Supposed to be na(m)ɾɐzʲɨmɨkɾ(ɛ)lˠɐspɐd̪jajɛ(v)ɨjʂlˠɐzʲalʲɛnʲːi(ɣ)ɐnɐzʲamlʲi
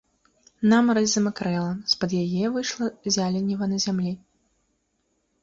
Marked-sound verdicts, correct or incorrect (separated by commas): correct, correct, correct, incorrect